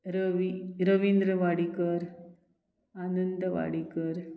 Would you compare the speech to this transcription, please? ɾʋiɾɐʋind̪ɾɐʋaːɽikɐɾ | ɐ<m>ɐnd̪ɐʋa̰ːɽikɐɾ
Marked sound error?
yes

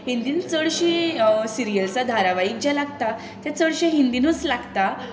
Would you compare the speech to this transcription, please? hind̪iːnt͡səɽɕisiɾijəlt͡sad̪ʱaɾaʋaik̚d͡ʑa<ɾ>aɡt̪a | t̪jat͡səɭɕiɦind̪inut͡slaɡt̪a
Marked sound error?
yes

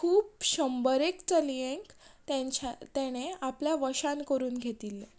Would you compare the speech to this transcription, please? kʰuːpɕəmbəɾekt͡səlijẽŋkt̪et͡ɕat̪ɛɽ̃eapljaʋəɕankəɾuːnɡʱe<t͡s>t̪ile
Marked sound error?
yes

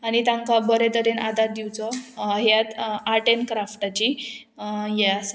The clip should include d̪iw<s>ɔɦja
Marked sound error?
yes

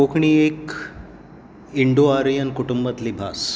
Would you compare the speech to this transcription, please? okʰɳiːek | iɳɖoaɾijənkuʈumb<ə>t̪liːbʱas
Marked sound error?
no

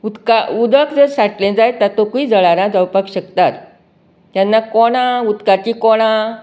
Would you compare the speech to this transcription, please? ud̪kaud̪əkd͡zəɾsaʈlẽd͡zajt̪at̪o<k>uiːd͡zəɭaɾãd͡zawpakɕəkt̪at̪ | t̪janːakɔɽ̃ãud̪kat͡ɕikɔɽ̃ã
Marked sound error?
no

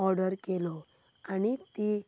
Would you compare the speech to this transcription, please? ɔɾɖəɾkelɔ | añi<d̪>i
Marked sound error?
yes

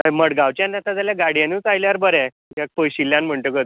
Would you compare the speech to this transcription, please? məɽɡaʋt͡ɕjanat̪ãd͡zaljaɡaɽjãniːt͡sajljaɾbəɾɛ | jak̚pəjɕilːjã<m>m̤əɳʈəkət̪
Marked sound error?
yes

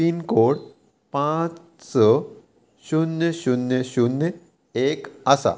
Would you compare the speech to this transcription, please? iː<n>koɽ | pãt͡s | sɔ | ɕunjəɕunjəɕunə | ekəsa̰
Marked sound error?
no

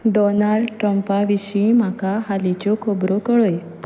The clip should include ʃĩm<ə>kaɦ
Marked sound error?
yes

